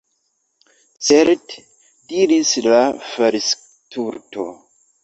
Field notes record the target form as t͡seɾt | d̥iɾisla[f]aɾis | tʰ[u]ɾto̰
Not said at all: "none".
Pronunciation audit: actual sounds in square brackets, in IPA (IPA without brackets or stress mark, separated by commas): f, u